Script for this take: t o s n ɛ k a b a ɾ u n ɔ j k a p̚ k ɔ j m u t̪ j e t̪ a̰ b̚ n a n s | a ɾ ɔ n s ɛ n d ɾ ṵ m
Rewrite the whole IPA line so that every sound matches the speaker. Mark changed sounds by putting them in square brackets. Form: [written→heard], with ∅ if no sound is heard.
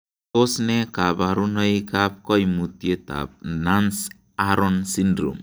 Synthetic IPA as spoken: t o s n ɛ k a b a ɾ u n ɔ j k a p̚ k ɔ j m u t̪ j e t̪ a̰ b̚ n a n s | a ɾ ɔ n s [ɛ→i] n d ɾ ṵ m